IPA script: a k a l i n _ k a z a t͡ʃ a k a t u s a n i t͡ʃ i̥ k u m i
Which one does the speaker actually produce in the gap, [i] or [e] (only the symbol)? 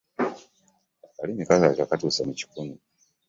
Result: i